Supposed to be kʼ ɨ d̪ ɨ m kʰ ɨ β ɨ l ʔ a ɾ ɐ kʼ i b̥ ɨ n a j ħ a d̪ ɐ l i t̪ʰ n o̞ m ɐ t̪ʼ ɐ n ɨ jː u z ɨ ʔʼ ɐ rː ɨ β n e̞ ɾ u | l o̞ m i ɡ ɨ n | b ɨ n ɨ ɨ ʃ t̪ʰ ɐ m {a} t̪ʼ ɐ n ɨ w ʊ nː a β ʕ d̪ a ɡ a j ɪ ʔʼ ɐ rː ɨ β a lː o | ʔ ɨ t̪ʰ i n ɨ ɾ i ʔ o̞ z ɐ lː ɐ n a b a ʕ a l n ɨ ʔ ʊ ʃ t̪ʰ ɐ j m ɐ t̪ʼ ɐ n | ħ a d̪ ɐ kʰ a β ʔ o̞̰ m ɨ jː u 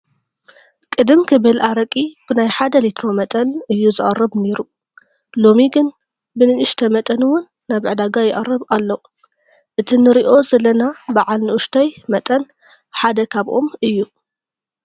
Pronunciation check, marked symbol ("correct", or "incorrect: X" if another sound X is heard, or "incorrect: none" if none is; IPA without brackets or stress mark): incorrect: ɐ